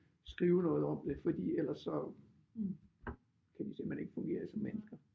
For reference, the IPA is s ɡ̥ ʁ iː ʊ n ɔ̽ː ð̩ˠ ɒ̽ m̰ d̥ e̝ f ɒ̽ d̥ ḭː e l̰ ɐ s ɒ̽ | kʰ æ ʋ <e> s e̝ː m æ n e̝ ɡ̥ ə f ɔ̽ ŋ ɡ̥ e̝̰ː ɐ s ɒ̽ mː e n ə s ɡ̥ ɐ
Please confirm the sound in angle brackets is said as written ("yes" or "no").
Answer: no